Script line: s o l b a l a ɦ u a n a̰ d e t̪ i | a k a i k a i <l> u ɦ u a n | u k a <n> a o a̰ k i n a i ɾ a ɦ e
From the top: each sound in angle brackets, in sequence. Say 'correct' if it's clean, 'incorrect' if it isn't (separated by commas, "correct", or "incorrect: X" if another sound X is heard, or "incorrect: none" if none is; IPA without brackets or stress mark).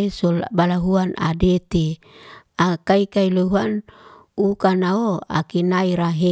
correct, correct